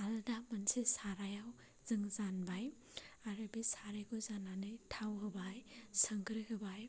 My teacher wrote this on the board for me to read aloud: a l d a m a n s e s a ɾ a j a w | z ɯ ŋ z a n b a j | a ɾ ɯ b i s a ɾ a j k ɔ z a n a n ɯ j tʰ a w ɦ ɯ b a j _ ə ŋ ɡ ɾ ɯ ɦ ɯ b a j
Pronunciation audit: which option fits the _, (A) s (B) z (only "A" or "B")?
A